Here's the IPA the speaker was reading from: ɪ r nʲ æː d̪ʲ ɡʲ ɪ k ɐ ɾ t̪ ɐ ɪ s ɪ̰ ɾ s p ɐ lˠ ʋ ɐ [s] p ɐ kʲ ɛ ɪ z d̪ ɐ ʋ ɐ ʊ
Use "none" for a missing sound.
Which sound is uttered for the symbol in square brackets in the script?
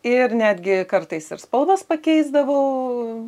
s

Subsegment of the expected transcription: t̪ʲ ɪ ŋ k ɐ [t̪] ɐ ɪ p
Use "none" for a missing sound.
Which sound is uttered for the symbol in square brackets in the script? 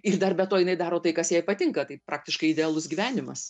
t̪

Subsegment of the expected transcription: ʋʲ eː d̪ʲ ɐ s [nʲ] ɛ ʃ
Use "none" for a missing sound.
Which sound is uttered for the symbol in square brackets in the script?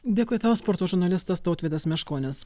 mʲ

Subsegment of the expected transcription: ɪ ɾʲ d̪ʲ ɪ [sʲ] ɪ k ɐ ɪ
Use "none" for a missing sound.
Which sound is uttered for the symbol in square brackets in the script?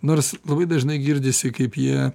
sʲ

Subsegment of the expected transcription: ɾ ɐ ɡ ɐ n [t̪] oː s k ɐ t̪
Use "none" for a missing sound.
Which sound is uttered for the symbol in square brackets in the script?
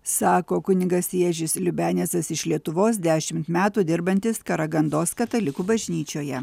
d̪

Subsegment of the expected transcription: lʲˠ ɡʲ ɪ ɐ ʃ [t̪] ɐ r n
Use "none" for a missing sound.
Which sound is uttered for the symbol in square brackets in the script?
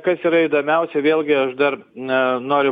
d̪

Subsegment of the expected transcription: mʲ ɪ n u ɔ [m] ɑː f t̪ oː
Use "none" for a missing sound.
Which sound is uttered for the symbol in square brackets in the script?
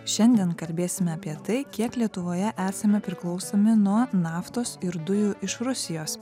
n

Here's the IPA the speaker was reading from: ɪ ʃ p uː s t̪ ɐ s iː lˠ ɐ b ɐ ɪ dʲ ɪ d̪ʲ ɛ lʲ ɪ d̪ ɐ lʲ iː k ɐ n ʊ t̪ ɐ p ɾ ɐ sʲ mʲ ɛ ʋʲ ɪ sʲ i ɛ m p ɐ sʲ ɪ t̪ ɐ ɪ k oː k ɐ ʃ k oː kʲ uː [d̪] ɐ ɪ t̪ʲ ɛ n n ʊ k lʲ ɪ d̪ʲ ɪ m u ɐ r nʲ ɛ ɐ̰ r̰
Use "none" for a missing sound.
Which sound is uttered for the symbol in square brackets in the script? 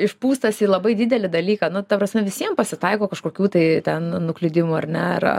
t̪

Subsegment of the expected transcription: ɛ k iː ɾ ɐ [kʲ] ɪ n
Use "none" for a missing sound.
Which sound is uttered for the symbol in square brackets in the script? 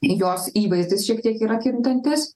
kʲ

